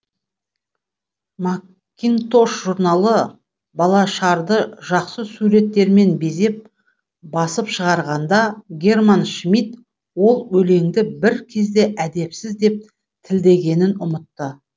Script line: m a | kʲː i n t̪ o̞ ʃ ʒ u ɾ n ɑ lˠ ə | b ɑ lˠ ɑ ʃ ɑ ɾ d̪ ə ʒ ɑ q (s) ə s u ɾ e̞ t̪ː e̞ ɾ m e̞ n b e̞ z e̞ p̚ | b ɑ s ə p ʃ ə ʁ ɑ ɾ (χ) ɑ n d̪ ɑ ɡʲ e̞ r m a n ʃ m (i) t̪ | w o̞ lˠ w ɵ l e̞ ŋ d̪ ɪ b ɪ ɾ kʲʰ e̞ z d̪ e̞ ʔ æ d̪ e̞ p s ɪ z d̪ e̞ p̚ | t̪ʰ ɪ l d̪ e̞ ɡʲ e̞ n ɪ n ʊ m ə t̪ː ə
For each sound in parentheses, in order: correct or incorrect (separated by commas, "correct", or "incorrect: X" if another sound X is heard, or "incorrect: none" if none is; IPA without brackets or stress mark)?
correct, incorrect: ʁ, correct